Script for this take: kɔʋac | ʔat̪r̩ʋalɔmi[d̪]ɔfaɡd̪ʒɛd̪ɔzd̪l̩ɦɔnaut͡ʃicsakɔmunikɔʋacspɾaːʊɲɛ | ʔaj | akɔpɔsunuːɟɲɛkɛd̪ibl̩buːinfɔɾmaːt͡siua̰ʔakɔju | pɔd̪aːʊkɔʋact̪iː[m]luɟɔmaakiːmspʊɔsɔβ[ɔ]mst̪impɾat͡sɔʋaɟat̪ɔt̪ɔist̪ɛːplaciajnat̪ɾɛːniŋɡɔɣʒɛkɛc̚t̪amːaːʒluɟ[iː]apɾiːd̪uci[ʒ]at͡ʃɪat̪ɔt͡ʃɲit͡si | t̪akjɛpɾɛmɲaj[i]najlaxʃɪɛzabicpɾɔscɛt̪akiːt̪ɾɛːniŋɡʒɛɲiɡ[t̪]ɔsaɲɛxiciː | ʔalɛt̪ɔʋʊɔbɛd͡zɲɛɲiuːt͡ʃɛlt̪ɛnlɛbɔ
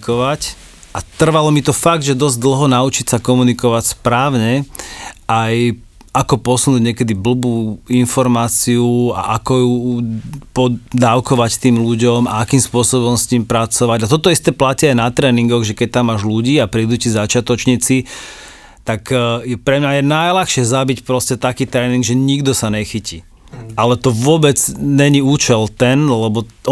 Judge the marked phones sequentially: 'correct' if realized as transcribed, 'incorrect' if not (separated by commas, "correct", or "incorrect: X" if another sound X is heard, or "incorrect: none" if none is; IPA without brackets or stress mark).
incorrect: t̪, correct, correct, correct, incorrect: z, incorrect: ɛ, incorrect: d̪